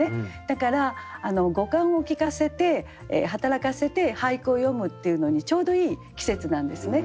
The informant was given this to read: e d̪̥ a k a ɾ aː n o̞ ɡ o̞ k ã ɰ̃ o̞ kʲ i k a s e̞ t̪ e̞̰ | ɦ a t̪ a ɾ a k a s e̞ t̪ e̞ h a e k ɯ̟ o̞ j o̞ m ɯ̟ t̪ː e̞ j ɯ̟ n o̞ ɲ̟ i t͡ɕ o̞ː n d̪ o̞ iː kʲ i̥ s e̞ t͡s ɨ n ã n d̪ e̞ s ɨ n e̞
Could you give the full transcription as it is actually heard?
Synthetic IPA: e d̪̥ a k a ɾ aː n o̞ ɡ o̞ k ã ɰ̃ o̞ kʲ i k a s e̞ t̪ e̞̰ | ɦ a t̪ a ɾ a k a s e̞ t̪ e̞ h a i k ɯ̟ o̞ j o̞ m ɯ̟ t̪ː e̞ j ɯ̟ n o̞ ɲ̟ i t͡ɕ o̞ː d̪ o̞ iː kʲ i̥ s e̞ t͡s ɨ n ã n d̪ e̞ s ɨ n e̞